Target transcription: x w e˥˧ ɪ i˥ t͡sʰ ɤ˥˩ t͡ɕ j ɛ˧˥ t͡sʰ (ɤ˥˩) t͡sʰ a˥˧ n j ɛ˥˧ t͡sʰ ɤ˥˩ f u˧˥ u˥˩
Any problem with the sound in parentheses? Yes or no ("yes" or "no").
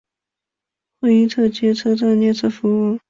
yes